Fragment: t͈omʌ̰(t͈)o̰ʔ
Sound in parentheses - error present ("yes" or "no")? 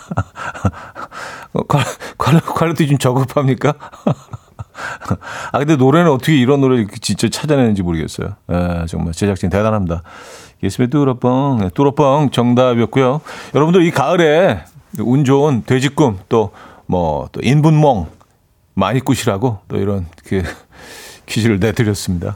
no